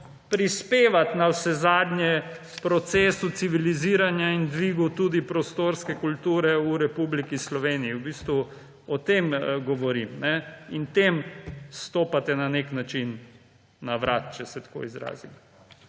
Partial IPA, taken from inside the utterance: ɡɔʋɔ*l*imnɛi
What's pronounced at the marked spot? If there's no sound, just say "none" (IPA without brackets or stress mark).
ɾ